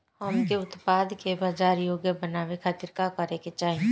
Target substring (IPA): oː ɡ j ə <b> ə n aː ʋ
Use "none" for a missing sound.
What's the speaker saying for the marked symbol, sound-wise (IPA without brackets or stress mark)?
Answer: b